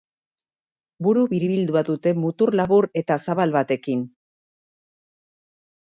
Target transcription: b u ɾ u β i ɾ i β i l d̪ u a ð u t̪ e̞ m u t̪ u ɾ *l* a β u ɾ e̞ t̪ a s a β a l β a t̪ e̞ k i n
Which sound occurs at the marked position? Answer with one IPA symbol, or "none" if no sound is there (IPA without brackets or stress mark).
l